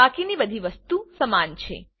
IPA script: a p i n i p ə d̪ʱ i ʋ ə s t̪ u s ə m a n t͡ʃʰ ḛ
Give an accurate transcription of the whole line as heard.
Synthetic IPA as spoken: a k i n i b ə d̪ʱ i ʋ ə s t̪ u s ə m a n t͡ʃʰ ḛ